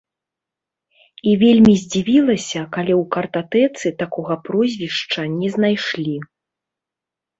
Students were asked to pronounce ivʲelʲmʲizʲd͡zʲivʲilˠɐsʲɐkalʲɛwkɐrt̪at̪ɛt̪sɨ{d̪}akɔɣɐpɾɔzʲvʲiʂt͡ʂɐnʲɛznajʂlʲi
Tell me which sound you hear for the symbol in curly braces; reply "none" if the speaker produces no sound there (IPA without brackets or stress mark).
t̪